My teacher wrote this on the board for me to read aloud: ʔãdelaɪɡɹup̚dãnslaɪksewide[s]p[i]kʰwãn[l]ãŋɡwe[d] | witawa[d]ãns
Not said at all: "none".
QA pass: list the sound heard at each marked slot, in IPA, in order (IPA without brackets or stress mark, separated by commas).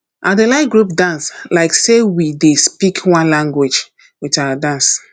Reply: s, i, l, d͡ʒ, d